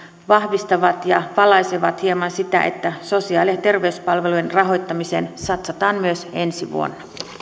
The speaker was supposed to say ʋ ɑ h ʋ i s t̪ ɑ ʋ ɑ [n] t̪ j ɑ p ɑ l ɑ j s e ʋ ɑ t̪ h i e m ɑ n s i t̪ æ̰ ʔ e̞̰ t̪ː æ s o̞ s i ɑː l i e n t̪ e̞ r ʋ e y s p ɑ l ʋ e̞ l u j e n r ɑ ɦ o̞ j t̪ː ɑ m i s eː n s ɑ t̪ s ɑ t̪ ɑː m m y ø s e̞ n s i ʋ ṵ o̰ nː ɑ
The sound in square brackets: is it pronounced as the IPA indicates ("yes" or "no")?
no